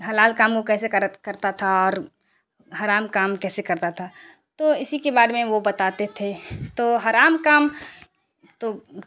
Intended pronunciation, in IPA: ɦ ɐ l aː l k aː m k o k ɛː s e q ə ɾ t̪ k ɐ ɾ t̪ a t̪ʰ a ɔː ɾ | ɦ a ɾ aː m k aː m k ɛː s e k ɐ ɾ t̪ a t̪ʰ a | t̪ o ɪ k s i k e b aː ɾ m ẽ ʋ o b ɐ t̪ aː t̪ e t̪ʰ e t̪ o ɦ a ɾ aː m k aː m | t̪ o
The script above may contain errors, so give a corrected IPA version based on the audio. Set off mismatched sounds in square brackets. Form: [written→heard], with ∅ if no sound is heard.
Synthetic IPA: ɦ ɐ l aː l k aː m k o k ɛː s e [q→k] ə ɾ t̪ k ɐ ɾ t̪ a t̪ʰ a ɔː ɾ | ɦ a ɾ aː m k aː m k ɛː s e k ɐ ɾ t̪ a t̪ʰ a | t̪ o ɪ [k→∅] s i k e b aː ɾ m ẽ ʋ o b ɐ t̪ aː t̪ e t̪ʰ e t̪ o ɦ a ɾ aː m k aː m | t̪ o